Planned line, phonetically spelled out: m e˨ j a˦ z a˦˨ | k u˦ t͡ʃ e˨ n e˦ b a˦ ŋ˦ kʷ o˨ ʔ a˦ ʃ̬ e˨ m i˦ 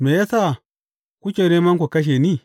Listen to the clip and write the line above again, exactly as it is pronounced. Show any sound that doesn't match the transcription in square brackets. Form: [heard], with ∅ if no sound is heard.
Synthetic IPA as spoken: m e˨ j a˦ [s] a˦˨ | k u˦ t͡ʃ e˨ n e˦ [m] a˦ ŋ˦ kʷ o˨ [k] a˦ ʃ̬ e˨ [n] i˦